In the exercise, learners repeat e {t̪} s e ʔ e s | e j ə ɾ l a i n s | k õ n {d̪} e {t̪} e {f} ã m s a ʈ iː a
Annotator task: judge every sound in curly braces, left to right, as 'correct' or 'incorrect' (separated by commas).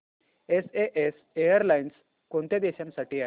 incorrect, incorrect, incorrect, incorrect